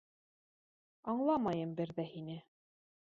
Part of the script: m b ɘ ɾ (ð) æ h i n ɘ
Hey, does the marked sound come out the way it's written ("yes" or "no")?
yes